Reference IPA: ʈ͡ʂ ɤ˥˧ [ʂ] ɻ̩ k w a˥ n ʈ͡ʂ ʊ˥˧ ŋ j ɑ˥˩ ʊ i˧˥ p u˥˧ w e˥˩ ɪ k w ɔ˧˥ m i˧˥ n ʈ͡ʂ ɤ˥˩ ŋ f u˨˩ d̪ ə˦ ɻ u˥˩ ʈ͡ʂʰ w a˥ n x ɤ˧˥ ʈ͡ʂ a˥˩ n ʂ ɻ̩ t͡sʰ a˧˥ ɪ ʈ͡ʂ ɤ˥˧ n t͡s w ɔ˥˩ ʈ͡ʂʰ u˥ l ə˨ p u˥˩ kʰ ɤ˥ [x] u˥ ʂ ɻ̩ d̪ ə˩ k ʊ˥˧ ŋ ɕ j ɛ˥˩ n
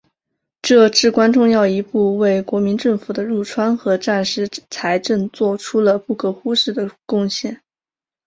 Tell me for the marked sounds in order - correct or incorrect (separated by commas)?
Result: incorrect, correct